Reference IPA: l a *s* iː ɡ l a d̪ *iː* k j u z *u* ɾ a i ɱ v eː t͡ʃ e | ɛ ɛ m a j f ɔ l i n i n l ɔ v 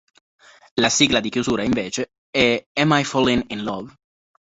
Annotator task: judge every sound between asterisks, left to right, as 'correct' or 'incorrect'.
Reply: correct, incorrect: i, incorrect: uː

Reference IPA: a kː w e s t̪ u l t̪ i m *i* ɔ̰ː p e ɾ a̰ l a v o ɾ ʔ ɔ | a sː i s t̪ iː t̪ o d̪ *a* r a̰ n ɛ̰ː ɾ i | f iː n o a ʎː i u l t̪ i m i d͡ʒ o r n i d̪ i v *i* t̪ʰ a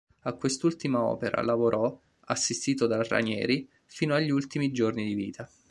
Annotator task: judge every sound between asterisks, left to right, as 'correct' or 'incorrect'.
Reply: incorrect: a, correct, incorrect: iː

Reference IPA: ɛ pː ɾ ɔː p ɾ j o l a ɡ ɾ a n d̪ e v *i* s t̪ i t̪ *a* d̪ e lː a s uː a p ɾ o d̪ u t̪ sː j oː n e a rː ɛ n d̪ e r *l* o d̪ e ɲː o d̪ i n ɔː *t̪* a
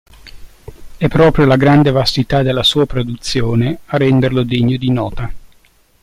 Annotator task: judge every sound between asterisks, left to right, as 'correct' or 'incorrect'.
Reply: incorrect: a, correct, correct, correct

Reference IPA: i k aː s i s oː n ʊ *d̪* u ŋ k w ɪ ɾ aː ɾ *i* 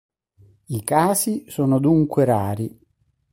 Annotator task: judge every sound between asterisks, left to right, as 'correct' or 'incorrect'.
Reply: correct, correct

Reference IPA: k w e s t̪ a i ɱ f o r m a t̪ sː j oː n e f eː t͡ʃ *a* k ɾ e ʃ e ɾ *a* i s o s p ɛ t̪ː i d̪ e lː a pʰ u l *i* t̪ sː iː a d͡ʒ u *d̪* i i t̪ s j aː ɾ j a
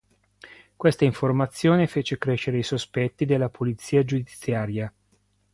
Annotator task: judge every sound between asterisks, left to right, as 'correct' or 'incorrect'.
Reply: incorrect: e, incorrect: e, correct, correct

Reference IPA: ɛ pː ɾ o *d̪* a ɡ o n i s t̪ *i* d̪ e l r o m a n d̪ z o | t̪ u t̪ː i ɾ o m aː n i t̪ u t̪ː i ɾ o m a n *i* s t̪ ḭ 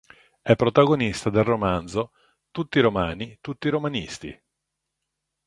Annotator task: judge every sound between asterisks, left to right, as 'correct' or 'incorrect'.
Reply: incorrect: t̪, incorrect: a, correct

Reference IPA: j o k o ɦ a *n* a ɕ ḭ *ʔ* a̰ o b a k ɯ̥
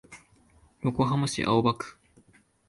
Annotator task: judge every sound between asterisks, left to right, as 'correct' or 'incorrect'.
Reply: incorrect: m, correct

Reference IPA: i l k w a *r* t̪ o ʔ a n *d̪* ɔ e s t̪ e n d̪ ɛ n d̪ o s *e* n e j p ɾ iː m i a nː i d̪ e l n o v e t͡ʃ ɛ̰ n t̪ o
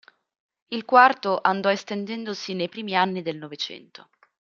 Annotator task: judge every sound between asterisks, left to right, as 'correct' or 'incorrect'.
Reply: correct, correct, incorrect: i

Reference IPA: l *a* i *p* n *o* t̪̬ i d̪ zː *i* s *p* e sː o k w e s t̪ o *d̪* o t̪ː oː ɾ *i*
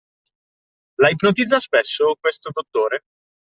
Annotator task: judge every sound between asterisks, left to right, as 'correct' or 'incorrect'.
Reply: correct, correct, correct, incorrect: a, correct, correct, incorrect: e

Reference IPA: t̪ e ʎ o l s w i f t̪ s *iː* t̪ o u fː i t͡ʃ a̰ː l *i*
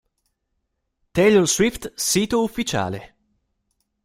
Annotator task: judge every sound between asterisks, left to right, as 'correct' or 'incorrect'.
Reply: correct, incorrect: e

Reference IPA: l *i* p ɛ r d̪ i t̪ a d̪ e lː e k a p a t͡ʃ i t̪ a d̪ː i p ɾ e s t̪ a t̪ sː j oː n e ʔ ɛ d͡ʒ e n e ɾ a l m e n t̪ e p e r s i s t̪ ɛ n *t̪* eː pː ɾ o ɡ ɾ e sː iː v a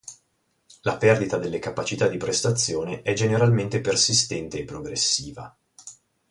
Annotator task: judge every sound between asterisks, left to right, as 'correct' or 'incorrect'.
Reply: incorrect: a, correct

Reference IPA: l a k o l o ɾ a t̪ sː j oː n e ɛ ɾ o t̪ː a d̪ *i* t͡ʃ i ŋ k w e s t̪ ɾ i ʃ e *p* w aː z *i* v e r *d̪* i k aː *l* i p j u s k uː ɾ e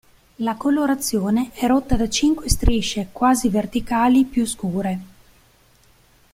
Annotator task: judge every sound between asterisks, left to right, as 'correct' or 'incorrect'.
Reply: incorrect: a, incorrect: k, correct, incorrect: t̪, correct

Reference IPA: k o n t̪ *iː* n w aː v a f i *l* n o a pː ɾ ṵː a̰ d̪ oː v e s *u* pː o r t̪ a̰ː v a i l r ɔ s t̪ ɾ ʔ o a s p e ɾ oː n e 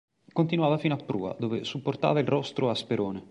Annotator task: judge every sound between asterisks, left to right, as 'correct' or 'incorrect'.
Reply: incorrect: i, incorrect: none, correct

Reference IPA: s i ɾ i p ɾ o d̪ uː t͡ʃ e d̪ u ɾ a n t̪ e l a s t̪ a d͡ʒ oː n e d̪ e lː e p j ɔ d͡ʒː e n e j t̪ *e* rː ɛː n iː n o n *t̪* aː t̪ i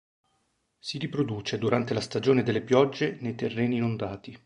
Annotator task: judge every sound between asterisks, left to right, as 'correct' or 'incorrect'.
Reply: correct, incorrect: d̪

